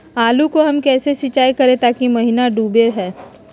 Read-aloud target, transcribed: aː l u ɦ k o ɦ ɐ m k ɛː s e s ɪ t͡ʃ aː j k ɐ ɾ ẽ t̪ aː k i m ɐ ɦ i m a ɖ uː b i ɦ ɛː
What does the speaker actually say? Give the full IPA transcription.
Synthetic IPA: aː l u k o ɦ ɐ m k ɛː s e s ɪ t͡ʃ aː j k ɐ ɾ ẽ t̪ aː k i m ɐ ɦ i n a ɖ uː b e ɦ ɛː